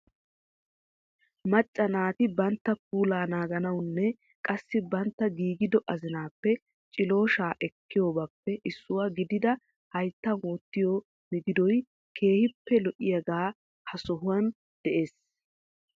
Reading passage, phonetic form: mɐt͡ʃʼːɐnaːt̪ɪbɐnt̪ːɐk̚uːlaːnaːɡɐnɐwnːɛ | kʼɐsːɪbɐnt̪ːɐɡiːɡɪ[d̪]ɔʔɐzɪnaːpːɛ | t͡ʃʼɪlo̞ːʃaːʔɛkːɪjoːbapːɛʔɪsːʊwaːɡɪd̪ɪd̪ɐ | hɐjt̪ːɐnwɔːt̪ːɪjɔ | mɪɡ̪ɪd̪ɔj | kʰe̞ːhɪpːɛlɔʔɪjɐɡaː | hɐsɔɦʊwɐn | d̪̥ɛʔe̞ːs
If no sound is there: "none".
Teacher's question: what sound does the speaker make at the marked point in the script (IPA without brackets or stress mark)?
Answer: d̪